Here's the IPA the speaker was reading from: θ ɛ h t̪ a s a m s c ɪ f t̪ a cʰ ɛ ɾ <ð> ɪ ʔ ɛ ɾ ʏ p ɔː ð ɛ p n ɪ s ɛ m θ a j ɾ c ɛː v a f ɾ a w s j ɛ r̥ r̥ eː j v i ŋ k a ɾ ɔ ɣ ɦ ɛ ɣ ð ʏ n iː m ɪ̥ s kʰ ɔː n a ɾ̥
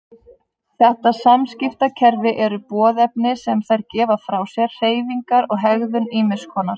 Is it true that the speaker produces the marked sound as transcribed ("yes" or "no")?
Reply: no